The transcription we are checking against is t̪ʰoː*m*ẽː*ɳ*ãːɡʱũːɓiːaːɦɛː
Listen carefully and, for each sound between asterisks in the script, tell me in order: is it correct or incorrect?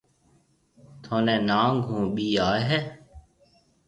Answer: incorrect, incorrect

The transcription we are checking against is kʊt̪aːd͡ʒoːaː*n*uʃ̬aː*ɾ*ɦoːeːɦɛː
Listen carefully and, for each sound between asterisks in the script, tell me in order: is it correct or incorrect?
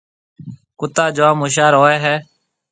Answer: incorrect, correct

